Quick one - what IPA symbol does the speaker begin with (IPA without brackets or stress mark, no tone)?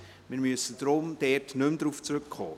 m